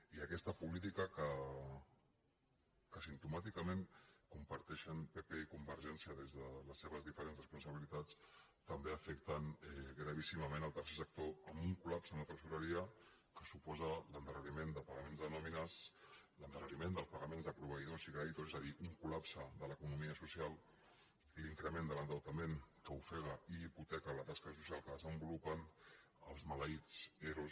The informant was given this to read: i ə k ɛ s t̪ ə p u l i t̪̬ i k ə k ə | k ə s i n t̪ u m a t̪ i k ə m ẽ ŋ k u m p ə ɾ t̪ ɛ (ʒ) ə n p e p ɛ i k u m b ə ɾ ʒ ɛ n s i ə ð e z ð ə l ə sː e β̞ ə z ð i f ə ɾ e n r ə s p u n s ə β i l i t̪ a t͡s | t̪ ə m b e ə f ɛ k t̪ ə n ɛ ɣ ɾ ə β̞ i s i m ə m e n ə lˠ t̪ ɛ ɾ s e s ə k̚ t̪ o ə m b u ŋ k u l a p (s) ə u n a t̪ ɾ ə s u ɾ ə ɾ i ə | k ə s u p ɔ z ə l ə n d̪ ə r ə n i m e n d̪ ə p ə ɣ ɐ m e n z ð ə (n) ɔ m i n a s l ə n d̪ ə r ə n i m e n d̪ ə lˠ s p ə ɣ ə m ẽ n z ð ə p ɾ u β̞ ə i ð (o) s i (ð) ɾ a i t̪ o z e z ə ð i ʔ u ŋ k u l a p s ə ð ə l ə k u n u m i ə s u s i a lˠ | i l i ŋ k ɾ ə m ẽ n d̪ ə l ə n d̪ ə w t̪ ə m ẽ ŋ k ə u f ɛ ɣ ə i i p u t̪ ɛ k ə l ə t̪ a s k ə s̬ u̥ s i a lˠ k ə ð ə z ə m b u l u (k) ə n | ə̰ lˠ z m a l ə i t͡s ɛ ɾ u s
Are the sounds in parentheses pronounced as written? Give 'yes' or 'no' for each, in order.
no, yes, yes, yes, no, no

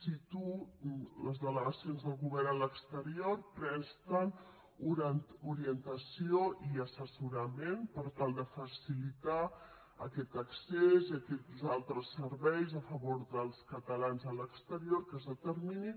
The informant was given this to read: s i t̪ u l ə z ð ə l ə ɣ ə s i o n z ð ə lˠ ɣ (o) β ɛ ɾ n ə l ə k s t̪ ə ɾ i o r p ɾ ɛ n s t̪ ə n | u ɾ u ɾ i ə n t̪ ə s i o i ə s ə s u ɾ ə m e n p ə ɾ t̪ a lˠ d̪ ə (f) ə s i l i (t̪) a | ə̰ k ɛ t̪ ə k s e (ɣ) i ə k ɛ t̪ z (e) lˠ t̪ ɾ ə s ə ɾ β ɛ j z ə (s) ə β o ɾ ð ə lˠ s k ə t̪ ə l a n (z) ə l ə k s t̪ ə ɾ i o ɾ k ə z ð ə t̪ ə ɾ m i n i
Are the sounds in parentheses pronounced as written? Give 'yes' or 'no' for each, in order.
no, yes, yes, no, no, no, yes

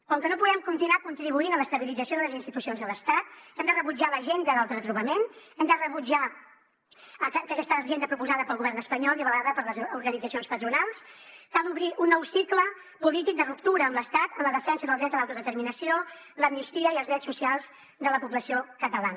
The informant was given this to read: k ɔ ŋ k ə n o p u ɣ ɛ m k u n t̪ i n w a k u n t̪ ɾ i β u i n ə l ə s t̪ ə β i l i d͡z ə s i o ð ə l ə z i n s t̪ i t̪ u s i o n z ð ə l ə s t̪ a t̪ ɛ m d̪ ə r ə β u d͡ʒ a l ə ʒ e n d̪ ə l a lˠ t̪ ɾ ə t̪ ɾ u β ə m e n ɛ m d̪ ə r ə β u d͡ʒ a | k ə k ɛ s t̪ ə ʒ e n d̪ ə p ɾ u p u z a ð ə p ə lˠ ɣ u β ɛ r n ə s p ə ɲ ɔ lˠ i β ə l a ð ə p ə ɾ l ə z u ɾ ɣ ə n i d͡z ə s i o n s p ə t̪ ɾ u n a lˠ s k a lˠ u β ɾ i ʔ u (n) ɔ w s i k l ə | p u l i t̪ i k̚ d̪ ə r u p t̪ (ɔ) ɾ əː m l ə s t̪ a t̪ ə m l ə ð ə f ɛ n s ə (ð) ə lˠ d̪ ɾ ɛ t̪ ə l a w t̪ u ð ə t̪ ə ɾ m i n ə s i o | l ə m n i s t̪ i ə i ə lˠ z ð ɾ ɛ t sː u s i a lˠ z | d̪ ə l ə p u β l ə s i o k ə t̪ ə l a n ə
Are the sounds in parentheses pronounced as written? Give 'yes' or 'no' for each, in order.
no, no, yes

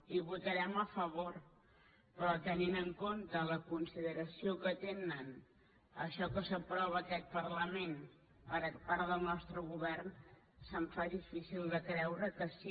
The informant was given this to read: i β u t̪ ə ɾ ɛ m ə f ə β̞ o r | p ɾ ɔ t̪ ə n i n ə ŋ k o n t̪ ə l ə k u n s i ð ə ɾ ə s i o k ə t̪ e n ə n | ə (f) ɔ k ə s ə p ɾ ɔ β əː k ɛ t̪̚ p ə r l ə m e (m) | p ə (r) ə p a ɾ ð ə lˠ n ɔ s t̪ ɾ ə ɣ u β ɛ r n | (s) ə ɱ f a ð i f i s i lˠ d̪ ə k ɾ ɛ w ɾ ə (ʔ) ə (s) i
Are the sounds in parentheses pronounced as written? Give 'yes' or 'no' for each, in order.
no, no, no, yes, no, yes

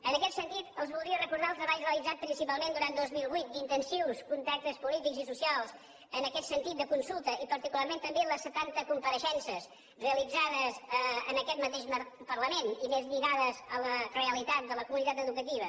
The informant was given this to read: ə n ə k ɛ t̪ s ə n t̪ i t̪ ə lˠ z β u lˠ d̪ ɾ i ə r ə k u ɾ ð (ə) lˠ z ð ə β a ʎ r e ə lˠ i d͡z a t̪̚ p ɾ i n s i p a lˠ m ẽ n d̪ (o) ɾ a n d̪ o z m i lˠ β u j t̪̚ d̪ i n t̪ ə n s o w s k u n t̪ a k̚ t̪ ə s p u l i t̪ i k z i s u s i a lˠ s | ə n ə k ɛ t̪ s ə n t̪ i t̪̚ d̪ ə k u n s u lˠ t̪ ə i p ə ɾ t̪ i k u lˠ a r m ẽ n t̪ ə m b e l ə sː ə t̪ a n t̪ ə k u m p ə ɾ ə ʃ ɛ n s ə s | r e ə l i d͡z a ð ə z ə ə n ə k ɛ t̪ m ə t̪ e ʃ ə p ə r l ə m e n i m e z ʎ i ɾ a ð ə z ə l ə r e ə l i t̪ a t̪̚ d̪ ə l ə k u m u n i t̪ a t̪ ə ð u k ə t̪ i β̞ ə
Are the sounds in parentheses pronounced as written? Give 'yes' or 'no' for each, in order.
no, no

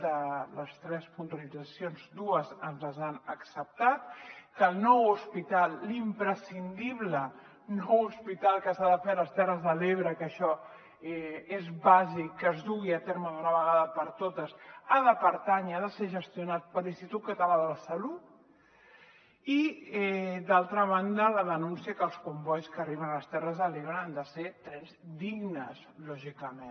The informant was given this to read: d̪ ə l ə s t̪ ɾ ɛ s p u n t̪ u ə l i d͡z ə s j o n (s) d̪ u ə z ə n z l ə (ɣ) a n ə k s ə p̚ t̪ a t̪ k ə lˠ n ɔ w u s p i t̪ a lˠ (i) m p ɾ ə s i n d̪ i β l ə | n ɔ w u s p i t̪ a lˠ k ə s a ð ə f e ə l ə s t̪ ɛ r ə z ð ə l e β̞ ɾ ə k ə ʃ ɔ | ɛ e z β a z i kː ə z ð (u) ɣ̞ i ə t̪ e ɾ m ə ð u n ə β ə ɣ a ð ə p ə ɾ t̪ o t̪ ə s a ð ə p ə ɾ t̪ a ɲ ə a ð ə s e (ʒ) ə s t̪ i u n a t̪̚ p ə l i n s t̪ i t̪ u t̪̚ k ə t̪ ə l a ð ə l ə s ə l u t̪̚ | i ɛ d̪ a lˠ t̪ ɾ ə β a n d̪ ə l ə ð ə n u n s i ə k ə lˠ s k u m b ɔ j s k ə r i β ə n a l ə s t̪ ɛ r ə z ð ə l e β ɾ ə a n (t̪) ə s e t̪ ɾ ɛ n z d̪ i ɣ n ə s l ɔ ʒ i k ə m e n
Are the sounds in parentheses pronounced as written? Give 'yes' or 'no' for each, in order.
no, no, yes, yes, yes, no

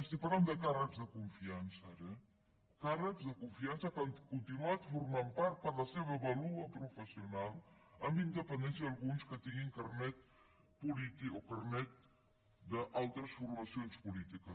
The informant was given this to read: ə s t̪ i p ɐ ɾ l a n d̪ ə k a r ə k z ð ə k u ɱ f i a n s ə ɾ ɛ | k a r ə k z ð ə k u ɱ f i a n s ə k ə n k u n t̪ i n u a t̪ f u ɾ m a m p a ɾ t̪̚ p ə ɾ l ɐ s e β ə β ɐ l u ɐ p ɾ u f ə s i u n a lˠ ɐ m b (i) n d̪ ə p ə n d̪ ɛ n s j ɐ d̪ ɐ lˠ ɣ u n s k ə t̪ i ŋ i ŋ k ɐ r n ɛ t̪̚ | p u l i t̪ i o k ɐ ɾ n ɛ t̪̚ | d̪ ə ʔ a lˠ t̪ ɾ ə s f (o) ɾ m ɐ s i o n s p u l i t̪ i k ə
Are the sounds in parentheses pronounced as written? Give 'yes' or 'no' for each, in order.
yes, no

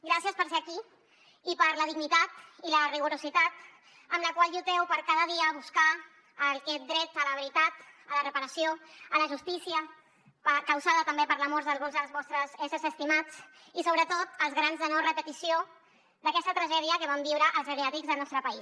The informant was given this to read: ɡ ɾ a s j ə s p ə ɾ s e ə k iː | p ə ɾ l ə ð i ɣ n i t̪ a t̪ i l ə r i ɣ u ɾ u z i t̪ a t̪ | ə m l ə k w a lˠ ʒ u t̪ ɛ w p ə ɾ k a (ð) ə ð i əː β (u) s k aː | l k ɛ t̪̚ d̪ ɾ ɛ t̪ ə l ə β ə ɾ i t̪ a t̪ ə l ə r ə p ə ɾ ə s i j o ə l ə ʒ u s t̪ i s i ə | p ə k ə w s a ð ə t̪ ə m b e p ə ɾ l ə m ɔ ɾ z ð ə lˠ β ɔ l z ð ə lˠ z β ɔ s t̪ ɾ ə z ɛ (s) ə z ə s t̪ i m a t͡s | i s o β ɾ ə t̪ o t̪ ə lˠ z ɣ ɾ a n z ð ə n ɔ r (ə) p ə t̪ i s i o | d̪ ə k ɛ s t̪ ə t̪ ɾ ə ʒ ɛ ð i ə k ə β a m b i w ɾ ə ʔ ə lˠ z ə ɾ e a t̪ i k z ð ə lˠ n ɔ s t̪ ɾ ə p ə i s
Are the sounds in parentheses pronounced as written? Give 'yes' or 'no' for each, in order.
yes, yes, yes, yes

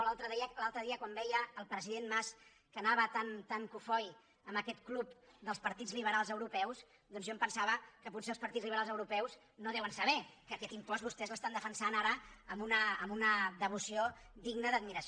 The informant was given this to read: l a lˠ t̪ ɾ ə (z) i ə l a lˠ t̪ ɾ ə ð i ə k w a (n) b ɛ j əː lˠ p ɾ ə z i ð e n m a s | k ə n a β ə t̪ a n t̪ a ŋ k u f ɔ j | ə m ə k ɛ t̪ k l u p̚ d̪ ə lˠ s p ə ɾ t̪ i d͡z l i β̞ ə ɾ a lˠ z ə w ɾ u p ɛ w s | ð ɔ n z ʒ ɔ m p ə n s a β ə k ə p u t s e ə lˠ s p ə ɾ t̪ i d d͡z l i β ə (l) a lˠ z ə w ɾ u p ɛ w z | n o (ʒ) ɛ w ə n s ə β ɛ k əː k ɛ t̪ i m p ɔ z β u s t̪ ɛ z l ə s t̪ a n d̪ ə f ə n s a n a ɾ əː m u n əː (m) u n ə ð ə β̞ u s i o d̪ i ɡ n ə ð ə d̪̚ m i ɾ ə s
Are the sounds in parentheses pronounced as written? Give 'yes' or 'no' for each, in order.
no, no, no, no, yes

